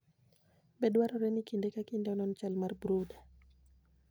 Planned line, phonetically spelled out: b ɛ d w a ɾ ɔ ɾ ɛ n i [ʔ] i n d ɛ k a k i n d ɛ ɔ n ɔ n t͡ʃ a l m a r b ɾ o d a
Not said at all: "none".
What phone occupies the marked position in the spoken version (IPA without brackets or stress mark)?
k